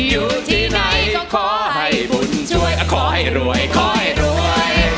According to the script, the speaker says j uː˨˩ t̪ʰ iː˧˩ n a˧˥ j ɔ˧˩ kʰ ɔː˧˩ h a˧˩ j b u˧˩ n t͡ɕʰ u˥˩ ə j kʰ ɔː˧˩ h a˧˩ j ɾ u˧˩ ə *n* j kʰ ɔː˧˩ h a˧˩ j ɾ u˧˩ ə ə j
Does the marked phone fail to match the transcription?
yes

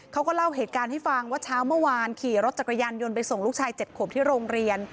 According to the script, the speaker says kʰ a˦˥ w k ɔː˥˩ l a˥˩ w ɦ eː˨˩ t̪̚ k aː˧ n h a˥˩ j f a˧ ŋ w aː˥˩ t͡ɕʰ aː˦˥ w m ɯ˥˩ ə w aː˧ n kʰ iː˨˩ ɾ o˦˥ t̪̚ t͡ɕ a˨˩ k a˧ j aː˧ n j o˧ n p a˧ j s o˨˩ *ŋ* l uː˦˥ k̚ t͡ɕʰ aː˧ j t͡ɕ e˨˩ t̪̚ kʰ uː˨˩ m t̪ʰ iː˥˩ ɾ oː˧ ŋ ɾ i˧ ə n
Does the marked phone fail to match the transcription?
no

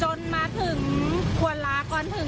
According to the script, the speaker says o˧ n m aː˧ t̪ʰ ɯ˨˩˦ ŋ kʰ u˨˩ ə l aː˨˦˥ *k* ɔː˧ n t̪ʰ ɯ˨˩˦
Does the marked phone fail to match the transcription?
no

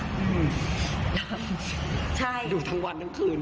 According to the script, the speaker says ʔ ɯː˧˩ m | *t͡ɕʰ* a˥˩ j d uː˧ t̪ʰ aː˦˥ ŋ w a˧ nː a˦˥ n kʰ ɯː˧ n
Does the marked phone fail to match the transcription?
no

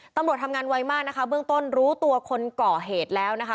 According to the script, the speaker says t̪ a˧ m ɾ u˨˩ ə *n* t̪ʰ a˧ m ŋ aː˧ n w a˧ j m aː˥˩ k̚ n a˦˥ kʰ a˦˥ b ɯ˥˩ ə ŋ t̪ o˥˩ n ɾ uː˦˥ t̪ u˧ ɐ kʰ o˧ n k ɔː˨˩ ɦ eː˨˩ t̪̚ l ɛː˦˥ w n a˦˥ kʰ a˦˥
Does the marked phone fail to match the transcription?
yes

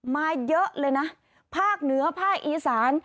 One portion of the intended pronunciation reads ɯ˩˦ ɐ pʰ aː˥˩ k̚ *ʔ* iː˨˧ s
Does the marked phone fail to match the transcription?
no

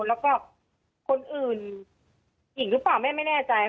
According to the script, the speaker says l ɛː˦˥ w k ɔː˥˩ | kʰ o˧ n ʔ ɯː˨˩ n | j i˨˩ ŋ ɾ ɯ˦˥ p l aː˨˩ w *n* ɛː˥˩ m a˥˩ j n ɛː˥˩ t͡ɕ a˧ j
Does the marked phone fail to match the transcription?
yes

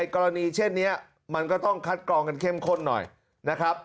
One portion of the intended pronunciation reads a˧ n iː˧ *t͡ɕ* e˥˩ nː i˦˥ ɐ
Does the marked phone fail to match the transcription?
yes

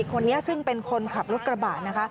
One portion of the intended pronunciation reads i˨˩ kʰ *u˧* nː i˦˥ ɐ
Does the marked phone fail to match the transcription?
yes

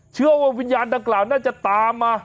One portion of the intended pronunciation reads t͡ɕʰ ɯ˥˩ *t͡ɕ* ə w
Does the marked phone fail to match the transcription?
yes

